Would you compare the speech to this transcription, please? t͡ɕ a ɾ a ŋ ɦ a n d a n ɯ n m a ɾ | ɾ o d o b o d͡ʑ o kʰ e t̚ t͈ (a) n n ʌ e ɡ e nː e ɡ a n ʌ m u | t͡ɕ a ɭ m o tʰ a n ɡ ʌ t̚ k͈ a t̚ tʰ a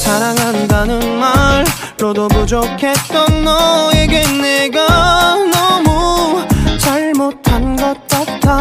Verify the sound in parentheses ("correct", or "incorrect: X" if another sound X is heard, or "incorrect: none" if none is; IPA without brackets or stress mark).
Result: incorrect: ʌ